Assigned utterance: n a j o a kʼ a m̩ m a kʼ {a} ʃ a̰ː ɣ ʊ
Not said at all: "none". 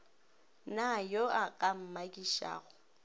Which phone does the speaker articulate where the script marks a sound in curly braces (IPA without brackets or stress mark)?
i